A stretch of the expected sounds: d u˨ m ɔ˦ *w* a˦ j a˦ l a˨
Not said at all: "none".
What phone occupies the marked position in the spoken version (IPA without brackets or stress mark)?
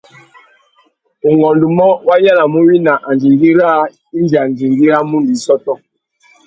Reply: w